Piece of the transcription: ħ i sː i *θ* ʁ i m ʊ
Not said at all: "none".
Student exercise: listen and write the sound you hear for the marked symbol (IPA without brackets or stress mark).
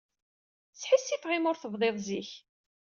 f